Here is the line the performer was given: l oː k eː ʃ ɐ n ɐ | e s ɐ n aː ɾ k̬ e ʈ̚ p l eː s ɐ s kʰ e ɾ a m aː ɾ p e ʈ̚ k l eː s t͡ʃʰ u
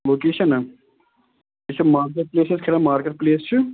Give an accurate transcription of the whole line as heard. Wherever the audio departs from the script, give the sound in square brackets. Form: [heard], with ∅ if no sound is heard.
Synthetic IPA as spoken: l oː k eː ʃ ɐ n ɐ | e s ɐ [m] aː ɾ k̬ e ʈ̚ p l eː s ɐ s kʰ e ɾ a m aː ɾ [k] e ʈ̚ [p] l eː s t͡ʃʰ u